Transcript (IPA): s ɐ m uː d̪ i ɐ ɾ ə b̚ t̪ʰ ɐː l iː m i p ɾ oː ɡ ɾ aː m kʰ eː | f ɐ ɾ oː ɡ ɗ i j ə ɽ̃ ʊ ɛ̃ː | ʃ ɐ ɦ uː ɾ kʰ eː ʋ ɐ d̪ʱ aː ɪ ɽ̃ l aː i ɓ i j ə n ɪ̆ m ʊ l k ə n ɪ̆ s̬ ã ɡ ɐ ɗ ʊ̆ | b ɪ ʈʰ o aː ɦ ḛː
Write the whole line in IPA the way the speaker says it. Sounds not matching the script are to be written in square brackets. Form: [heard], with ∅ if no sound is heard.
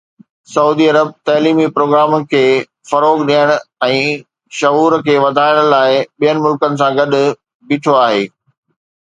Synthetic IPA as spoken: s ɐ [∅] uː d̪ i ɐ ɾ ə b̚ [t̪] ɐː l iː m i p ɾ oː ɡ ɾ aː m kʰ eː | f ɐ ɾ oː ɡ ɗ i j ə ɽ̃ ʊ ɛ̃ː | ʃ ɐ ɦ uː ɾ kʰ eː ʋ ɐ d̪ʱ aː ɪ ɽ̃ l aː [ɪ] ɓ i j ə n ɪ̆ m ʊ l k ə n ɪ̆ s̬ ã ɡ ɐ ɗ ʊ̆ | b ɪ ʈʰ o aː ɦ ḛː